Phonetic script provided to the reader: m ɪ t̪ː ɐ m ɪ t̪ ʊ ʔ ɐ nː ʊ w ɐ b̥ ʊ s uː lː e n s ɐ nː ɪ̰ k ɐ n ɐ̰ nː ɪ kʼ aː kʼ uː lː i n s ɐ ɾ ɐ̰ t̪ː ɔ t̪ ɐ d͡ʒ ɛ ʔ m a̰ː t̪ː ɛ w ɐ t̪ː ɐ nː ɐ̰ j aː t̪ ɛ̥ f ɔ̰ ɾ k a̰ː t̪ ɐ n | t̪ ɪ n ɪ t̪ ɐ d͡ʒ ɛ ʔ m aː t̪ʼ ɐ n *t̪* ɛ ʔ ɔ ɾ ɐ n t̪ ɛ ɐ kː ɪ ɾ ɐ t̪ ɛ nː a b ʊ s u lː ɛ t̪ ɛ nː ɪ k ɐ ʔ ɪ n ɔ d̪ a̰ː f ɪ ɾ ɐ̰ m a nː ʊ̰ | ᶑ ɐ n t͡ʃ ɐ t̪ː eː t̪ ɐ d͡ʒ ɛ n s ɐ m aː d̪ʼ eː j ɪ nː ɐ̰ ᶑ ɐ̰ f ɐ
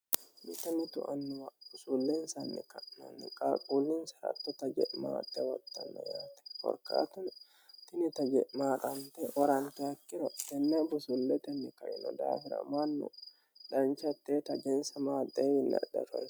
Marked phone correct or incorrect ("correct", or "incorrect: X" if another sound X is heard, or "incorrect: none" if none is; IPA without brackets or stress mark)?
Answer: correct